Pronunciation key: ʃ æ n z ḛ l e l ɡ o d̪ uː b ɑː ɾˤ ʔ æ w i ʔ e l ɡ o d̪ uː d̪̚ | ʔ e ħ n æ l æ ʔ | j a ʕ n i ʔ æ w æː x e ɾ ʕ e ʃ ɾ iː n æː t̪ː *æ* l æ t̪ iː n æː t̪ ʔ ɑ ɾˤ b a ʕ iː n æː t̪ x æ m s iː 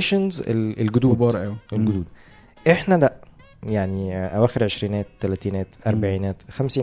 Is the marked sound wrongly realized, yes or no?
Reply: no